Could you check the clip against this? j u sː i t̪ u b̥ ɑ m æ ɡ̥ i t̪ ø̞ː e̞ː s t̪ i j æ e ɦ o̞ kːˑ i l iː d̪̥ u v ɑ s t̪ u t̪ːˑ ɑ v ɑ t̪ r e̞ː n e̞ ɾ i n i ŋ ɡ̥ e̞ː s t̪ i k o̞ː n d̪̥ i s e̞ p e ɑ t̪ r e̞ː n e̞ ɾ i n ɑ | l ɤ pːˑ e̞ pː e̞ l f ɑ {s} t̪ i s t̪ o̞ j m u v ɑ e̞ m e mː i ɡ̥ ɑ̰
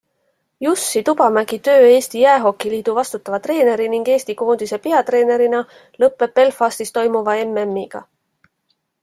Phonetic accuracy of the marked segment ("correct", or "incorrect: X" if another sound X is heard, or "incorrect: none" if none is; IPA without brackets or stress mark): correct